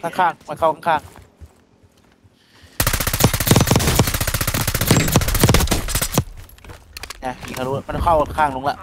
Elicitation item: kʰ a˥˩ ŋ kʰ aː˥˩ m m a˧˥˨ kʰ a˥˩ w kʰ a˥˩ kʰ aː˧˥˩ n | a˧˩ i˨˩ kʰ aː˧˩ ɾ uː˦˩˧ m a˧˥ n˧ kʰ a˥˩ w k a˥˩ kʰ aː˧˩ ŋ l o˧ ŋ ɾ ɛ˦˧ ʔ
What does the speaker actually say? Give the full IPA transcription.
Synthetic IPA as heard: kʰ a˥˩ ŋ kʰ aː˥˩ ŋ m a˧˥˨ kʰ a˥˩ w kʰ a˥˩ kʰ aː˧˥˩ ŋ | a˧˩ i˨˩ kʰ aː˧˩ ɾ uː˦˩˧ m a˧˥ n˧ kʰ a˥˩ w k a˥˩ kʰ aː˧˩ ŋ l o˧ ŋ l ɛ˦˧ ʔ

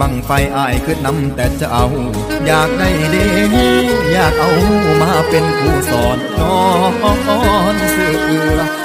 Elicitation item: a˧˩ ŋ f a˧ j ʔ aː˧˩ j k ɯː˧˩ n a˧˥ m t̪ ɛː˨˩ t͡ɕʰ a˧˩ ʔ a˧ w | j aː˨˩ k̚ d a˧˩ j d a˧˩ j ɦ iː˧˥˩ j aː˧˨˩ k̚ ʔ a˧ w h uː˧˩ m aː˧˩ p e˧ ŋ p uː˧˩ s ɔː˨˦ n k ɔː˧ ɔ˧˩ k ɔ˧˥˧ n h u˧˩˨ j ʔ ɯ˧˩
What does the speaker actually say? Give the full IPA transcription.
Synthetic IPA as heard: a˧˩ ŋ f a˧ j ʔ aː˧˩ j k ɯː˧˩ n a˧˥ m t̪ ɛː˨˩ t͡ɕ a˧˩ ʔ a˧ w | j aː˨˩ k̚ d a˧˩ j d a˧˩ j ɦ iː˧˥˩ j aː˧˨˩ k̚ ʔ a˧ w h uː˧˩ m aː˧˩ p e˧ n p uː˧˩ s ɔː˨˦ n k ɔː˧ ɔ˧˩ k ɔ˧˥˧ n s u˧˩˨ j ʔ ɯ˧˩

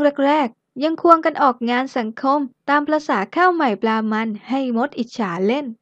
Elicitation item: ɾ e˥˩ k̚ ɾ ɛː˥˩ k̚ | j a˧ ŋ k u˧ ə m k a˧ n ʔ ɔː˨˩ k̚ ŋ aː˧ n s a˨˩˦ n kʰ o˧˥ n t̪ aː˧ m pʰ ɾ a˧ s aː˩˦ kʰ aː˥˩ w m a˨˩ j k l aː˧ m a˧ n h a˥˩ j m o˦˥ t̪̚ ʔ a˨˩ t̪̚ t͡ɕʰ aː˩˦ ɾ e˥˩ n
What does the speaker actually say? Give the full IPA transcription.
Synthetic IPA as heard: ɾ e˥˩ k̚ ɾ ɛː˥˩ k̚ | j a˧ ŋ kʰ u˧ ə ŋ k a˧ n ʔ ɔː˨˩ k̚ ŋ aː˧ n s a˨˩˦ ŋ kʰ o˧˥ m t̪ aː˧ m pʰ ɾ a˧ s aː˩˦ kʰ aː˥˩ w m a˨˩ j p l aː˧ m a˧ n h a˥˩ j m o˦˥ t̪̚ ʔ i˨˩ t̪̚ t͡ɕʰ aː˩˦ l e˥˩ n

